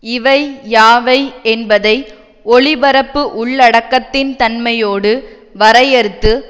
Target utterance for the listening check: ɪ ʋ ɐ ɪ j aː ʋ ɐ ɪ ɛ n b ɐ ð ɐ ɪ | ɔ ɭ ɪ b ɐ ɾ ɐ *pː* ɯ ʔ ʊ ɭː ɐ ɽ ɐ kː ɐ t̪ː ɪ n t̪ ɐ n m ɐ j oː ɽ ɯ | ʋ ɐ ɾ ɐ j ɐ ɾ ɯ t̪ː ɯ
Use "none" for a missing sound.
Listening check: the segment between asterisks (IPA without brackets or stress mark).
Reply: pː